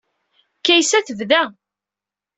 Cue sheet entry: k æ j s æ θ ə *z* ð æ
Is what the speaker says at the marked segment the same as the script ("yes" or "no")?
no